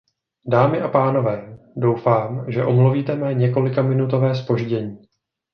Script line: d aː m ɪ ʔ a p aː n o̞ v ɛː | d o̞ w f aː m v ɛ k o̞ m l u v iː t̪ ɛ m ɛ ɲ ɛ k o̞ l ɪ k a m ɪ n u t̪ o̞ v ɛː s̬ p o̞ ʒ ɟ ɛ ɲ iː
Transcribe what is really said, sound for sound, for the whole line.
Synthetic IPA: d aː m ɪ ʔ a p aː n o̞ v ɛː | d o̞ w f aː m ʒ ɛ ʔ o̞ m l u v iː t̪ ɛ m ɛ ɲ ɛ k o̞ l ɪ k a m ɪ n u t̪ o̞ v ɛː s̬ p o̞ ʒ ɟ ɛ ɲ iː